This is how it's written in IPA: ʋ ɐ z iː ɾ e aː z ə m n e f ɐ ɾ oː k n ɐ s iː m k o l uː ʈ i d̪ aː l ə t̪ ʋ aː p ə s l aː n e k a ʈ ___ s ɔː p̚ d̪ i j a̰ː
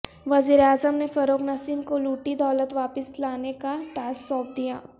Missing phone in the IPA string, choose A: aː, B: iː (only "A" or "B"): A